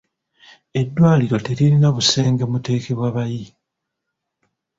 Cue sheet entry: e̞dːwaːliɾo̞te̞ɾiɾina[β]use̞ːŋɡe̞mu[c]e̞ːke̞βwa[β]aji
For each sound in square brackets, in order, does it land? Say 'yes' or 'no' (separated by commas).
yes, no, yes